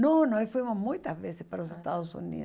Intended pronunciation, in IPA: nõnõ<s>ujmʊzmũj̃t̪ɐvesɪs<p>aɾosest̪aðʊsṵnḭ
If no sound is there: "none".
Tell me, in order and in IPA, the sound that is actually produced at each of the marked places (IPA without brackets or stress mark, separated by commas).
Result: f, p